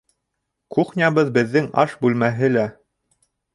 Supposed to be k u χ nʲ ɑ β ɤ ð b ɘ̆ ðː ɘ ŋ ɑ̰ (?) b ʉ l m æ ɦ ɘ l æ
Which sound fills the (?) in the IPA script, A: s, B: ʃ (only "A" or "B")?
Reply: B